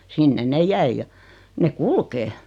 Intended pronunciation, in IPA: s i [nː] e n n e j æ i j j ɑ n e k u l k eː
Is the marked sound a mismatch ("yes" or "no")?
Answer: no